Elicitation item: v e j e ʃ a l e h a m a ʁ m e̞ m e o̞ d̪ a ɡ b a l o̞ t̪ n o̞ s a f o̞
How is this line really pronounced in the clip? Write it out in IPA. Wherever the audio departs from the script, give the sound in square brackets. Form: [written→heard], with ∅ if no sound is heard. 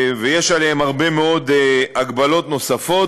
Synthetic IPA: v e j e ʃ a l e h [a→e] m a ʁ [m→b] e̞ m e o̞ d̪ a ɡ b a l o̞ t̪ n o̞ s a f o̞